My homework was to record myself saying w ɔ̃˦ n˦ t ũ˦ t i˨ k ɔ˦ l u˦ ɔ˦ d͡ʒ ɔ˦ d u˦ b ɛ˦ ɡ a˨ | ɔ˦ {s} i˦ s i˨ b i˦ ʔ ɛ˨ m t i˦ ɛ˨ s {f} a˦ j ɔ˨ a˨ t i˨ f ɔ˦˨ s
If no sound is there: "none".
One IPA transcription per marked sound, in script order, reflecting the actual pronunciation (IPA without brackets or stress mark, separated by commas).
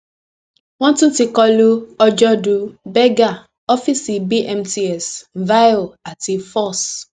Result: f, v